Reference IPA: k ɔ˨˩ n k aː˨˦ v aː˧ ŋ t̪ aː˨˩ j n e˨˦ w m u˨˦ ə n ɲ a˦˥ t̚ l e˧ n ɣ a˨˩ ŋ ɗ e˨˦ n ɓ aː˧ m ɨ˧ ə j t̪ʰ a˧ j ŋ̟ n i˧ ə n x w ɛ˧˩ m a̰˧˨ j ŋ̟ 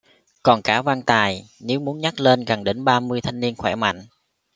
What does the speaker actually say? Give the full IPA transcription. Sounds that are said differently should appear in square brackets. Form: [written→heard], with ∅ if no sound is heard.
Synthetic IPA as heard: k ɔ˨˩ n k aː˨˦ v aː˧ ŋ t̪ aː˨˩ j n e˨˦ w m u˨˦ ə n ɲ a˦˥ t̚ l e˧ n ɣ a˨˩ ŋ ɗ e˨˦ n ɓ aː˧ m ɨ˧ ə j t̪ʰ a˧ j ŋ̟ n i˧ ə n x w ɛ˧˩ m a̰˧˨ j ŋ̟